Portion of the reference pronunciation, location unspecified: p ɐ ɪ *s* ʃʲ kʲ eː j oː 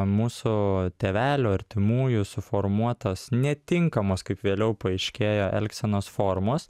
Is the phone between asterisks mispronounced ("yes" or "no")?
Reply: yes